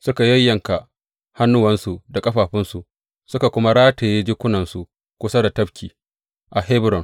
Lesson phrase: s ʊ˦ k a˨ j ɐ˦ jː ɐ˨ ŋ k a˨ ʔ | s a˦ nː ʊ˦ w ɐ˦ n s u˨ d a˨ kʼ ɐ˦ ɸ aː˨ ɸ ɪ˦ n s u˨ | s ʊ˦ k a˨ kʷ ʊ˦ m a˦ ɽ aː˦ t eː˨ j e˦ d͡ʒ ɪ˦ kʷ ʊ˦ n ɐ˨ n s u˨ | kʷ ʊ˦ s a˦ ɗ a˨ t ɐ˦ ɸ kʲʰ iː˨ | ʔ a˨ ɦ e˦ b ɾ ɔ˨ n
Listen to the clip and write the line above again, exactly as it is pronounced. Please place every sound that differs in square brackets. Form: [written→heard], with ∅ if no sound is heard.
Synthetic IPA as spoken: s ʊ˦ k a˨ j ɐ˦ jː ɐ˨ ŋ k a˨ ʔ | [s→h] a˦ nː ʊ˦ w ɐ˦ n s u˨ d a˨ kʼ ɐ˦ ɸ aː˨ ɸ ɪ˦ n s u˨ | s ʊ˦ k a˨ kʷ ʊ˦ m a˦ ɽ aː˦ t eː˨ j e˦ d͡ʒ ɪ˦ kʷ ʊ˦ n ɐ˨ n s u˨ | kʷ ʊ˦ s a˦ [ɗ→d] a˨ t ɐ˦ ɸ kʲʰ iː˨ | ʔ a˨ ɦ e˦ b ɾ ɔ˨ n